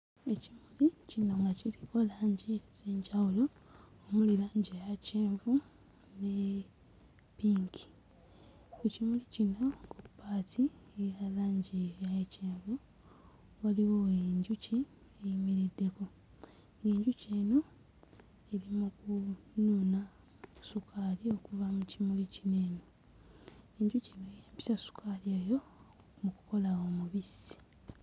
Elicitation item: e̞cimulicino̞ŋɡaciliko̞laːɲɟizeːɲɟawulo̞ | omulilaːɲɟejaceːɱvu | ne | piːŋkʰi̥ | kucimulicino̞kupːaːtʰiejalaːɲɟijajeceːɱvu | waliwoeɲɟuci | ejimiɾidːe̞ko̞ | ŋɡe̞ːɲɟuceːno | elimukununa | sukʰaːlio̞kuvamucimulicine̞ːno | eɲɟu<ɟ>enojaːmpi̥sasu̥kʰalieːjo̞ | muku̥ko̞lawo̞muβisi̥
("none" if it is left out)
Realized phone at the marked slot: c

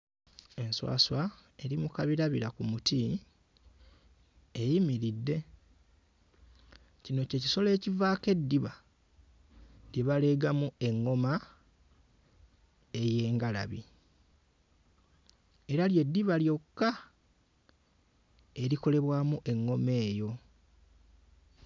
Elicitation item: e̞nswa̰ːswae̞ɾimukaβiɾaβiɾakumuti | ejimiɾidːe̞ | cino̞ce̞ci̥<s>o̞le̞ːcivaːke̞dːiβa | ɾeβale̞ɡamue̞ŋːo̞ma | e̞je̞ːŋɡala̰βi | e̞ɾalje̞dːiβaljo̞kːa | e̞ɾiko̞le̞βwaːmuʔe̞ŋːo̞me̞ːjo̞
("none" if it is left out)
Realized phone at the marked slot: s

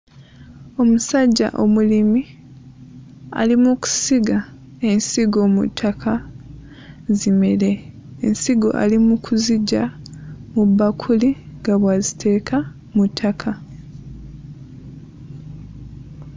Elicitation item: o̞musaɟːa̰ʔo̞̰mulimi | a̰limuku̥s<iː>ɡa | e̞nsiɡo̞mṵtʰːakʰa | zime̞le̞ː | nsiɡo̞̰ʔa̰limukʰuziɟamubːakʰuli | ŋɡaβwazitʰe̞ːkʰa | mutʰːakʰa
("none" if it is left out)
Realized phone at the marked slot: i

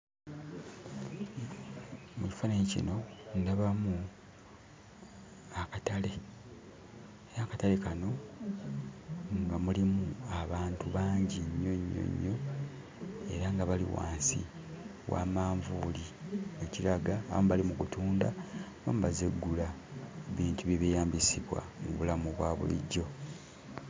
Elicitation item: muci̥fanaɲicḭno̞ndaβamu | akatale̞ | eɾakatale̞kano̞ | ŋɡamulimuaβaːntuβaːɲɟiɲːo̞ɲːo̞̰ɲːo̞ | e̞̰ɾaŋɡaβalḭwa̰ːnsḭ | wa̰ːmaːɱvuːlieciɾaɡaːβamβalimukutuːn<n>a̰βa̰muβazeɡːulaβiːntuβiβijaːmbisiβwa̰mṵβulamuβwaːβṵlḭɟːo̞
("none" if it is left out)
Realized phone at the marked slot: d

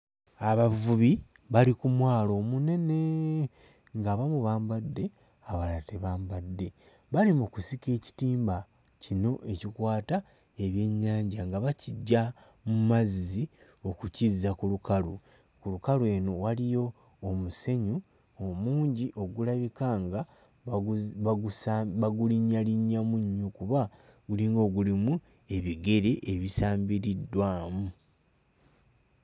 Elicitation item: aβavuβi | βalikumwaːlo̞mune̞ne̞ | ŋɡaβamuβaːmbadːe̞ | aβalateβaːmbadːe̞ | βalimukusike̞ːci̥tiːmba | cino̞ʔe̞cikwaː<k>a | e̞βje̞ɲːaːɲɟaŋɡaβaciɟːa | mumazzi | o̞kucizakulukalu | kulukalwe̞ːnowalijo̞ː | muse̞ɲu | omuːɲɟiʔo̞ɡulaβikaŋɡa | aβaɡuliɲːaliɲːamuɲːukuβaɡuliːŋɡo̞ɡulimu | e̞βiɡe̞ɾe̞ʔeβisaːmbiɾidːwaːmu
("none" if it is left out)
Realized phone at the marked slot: t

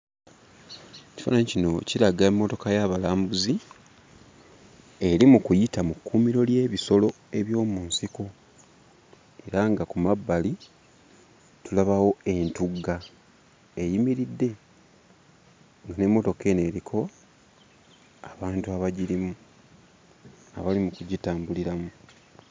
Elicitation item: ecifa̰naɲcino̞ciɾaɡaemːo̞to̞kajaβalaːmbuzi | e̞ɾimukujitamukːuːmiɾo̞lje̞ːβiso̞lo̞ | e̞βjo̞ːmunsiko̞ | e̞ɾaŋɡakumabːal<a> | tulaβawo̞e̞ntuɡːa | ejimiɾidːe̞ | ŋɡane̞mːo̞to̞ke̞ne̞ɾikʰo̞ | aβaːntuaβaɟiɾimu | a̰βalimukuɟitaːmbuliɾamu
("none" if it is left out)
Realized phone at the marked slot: i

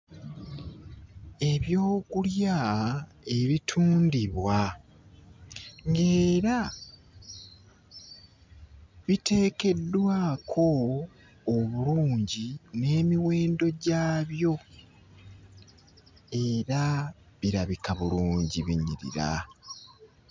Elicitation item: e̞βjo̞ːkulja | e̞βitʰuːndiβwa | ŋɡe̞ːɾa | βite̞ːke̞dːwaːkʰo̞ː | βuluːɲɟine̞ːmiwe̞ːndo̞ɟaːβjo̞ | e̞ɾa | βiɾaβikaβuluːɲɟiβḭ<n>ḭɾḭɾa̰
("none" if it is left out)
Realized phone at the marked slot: ɲ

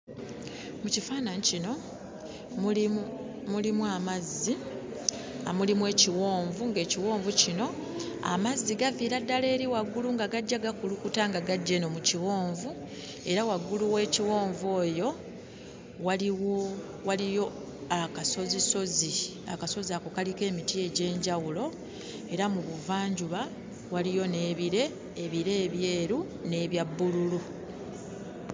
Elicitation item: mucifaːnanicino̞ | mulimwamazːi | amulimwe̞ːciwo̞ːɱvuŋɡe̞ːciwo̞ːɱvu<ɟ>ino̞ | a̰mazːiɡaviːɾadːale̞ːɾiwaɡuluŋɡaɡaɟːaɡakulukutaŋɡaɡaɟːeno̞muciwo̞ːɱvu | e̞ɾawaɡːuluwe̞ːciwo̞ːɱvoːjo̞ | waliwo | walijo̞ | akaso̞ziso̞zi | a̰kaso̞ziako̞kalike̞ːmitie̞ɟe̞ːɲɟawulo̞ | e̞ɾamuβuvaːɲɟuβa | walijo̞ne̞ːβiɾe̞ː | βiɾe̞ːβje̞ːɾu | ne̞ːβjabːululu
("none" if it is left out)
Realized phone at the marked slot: c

